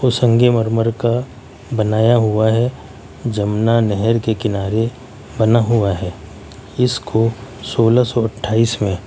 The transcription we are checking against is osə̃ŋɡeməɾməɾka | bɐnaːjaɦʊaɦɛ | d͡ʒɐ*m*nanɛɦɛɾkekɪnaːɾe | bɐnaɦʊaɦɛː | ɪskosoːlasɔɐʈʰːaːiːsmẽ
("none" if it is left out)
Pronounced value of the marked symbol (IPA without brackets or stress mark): m